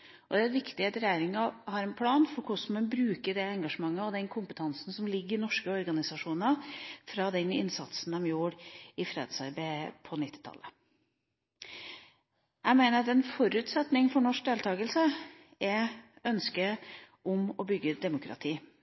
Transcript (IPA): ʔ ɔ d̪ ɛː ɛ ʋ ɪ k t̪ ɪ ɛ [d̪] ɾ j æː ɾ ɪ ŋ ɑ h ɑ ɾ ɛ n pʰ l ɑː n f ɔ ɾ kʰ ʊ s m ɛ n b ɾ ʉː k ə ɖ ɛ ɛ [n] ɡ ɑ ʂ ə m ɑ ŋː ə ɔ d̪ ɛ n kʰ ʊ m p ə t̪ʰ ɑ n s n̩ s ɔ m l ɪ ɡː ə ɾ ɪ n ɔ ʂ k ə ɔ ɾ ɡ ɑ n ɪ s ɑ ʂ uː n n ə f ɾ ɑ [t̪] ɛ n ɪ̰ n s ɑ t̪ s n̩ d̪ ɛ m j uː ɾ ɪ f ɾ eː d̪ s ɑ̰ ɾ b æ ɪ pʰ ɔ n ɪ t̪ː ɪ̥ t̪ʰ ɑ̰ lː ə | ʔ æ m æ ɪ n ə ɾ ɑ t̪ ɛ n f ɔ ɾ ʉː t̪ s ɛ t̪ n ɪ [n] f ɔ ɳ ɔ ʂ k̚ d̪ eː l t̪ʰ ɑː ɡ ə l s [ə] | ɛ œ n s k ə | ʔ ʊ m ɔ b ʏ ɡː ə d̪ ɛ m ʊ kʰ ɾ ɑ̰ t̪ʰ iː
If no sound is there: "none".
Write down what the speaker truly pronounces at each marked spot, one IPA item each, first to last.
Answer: t̪, ŋ, d̪, ŋ, ə

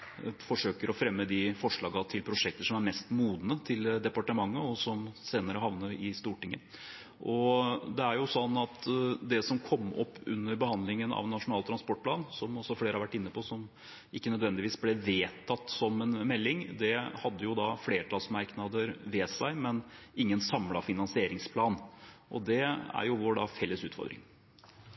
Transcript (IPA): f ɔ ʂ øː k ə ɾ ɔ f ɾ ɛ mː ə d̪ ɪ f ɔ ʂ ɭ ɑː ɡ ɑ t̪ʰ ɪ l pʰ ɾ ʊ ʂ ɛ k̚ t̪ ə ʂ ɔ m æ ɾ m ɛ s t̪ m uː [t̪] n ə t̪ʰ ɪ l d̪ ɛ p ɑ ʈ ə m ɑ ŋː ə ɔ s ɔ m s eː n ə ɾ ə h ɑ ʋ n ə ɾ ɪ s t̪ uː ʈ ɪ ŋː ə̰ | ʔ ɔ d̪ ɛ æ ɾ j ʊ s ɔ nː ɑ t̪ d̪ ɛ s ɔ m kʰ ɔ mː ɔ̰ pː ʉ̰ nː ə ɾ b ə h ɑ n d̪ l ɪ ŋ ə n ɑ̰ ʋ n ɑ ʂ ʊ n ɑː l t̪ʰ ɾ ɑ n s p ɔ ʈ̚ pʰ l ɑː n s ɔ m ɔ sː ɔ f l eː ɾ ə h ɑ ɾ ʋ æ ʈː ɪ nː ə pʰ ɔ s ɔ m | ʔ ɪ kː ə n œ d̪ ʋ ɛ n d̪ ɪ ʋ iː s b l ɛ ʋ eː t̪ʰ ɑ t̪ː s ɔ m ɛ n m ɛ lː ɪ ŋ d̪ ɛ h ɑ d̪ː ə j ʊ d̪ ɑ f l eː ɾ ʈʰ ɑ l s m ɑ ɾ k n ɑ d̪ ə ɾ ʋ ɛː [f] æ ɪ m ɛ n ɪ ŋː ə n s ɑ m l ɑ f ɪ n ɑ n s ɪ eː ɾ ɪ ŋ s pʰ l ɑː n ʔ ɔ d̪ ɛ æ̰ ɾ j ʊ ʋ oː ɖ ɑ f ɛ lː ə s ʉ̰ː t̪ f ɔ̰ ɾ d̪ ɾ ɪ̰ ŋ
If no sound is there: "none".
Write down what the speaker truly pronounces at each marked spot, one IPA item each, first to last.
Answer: d̪, s

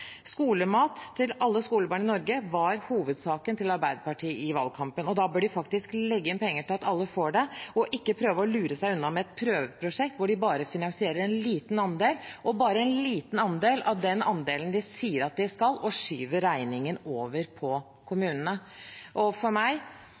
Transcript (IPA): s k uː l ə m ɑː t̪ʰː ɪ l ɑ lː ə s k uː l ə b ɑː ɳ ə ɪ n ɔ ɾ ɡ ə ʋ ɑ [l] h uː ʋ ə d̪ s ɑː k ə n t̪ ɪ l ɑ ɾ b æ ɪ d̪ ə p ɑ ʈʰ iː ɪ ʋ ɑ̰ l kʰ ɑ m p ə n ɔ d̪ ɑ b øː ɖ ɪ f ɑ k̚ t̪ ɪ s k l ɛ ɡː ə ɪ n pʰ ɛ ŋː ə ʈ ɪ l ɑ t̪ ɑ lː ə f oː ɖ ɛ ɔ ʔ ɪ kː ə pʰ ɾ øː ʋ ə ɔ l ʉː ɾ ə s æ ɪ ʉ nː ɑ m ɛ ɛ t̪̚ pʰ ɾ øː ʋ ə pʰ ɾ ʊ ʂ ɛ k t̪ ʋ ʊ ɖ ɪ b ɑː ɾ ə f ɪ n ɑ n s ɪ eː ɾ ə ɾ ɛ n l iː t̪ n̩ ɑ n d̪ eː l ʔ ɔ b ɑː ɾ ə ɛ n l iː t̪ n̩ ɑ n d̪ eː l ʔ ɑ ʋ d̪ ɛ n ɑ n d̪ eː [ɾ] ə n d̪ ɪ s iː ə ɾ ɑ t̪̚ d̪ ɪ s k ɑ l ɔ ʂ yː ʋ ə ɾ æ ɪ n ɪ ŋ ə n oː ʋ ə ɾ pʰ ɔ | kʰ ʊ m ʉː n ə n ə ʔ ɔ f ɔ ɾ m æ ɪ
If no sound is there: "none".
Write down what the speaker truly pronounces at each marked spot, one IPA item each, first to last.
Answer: ɾ, l

